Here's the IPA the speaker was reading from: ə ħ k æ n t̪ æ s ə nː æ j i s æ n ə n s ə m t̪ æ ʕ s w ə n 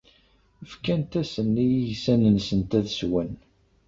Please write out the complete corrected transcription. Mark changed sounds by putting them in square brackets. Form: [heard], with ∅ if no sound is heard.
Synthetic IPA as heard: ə [f] k æ n t̪ æ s ə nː [i] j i s æ n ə n s ə [n] t̪ æ [ð] s w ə n